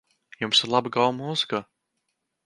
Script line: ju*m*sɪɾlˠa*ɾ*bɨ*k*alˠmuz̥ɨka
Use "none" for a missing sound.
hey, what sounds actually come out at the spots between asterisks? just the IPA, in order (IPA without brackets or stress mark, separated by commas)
m, none, ɡ